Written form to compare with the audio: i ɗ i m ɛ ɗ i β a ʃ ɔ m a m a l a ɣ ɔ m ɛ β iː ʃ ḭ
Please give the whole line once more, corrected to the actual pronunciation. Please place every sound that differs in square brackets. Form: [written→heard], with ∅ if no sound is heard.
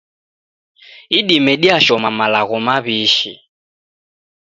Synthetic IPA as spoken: i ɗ i m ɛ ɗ i [β→∅] a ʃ ɔ m a m a l a ɣ ɔ m [ɛ→a] β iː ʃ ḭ